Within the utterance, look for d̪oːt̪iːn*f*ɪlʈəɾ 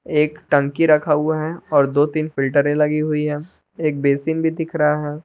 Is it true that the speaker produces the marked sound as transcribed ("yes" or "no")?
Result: yes